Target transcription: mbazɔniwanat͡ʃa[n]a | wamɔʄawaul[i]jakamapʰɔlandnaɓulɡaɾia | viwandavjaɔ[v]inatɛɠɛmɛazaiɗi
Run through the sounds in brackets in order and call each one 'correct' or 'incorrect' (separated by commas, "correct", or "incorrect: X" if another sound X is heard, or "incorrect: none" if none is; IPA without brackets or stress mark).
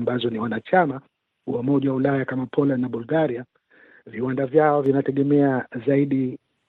incorrect: m, incorrect: a, correct